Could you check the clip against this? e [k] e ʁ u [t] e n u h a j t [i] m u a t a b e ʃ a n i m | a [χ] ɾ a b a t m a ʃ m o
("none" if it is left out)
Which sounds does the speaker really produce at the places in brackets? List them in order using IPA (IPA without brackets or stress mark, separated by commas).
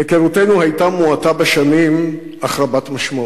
k, t, a, χ